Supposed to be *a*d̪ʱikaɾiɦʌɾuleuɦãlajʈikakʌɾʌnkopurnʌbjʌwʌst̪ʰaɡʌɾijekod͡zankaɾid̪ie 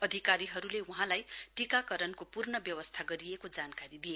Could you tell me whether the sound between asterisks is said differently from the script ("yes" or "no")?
yes